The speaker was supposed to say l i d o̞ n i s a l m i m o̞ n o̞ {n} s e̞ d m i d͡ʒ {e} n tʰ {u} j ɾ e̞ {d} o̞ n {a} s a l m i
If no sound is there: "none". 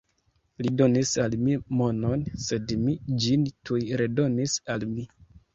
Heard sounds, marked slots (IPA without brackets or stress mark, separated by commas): n, i, u, d, i